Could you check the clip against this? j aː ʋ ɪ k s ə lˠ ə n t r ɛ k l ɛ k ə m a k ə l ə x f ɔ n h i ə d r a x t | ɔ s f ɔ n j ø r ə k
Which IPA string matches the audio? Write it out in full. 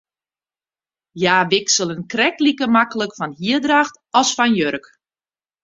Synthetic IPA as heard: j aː ʋ ɪ k s ə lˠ ə n k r ɛ k l i k ə m a k ə l ə k f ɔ n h i ə d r a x t | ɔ s f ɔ n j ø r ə k